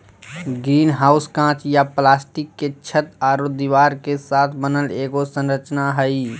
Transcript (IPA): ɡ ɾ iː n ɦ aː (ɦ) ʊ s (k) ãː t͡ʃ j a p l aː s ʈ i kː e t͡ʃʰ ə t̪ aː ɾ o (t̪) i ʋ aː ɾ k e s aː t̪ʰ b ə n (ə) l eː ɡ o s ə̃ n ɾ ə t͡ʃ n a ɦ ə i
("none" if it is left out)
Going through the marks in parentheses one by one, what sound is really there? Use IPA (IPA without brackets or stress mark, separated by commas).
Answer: none, k, d̪, ə